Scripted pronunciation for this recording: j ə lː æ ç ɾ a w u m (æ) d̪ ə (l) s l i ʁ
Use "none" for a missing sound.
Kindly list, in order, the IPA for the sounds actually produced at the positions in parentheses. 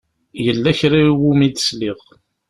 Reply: i, none

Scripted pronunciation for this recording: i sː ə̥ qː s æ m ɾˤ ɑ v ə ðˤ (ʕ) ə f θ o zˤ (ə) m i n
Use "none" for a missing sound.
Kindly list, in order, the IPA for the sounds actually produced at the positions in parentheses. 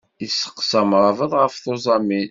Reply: ʁ, ɑ

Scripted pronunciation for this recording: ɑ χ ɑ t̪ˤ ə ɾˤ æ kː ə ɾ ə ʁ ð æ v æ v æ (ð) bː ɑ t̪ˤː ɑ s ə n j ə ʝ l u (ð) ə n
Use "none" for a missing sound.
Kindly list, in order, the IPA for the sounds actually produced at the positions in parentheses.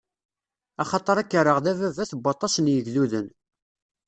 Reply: θ, ð

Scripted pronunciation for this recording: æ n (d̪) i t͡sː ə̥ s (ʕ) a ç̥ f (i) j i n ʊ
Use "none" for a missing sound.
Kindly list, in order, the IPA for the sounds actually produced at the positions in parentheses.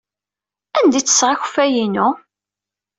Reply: d̪, ʁ, æ

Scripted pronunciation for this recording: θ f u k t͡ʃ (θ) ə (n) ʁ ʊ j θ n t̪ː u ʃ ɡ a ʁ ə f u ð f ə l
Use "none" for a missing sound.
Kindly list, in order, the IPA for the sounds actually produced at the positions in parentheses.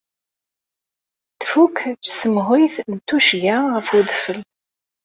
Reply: s, m

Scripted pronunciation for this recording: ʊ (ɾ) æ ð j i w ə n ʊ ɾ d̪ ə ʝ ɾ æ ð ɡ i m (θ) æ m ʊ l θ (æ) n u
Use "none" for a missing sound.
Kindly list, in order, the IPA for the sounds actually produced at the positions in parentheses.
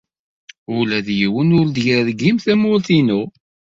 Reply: l, θ, i

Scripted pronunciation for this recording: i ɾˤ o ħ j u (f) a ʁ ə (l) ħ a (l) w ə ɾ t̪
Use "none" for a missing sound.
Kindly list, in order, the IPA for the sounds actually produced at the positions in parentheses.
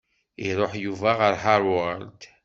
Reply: v, ɾ, ɾ

